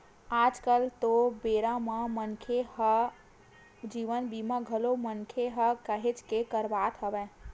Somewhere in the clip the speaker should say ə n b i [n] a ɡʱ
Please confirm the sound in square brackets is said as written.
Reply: no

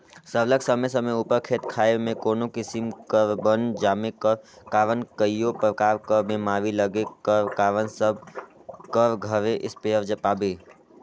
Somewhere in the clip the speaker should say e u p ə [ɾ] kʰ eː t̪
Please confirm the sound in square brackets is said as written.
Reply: yes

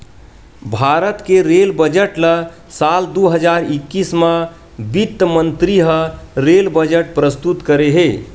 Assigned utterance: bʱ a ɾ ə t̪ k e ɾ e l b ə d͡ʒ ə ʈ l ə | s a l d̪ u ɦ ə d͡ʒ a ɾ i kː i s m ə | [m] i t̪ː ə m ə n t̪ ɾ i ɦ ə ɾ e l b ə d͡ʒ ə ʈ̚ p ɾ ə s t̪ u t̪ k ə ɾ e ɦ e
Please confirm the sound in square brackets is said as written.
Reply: no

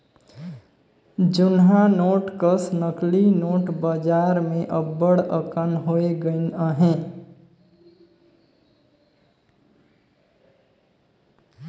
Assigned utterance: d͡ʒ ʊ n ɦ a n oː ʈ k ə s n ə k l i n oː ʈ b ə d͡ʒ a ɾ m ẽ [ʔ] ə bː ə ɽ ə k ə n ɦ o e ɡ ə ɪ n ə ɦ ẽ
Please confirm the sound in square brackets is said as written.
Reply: yes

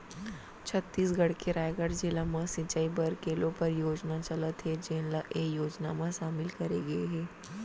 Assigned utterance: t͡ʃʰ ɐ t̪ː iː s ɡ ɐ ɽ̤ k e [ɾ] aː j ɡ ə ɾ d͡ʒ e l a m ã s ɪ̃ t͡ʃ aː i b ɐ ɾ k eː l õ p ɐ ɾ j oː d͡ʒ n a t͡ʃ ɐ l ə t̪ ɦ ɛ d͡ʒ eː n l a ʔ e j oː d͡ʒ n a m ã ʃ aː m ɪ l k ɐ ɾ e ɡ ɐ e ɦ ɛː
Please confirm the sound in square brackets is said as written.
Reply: yes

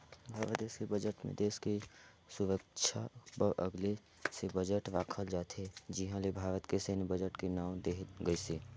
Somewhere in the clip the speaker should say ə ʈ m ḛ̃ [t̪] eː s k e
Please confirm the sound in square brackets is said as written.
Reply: no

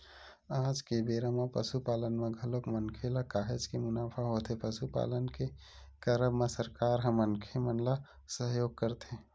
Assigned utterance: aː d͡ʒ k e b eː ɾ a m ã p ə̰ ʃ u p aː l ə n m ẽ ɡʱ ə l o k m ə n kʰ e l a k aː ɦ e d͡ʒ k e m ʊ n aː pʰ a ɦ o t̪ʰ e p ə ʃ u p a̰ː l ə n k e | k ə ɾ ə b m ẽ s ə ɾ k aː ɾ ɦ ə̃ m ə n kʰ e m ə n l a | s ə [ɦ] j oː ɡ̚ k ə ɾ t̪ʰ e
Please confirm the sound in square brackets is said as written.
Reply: yes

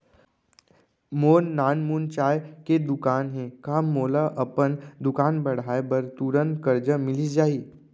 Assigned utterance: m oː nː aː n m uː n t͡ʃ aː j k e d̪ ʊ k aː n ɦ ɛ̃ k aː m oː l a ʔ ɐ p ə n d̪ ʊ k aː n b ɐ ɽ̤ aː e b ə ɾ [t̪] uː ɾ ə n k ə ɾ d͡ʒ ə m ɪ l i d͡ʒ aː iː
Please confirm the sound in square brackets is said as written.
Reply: yes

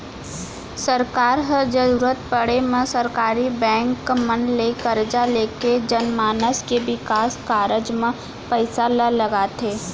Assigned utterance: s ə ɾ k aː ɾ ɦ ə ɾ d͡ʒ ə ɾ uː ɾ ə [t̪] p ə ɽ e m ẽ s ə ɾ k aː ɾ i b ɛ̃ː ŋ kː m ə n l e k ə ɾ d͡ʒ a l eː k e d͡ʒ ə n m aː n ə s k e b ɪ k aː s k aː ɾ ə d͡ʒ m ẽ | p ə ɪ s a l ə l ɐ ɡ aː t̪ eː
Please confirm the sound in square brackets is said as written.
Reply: yes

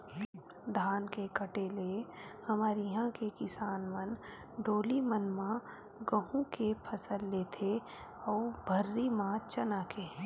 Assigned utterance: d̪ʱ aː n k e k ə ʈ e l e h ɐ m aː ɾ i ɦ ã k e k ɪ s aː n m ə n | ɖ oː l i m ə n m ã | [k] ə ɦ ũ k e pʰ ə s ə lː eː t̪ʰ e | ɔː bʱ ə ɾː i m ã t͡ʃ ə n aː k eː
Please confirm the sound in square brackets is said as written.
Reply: no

